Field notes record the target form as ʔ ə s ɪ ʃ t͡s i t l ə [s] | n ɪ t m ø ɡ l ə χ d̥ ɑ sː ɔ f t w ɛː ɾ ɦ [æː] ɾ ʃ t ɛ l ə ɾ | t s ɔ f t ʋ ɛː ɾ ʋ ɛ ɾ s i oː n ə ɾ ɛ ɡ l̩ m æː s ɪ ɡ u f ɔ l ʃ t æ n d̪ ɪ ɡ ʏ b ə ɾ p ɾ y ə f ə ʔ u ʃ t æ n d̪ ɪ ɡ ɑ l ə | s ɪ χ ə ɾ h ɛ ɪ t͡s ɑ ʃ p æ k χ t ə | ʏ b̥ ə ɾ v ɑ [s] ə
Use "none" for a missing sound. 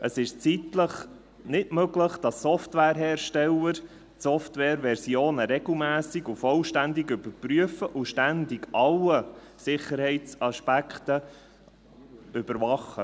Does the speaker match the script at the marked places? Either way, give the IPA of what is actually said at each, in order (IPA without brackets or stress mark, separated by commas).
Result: χ, ɛː, χ